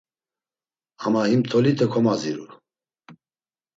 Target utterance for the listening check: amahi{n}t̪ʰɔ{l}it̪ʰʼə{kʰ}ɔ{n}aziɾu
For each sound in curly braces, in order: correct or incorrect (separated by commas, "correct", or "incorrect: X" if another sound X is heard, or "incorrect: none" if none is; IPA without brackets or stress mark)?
incorrect: m, correct, correct, incorrect: m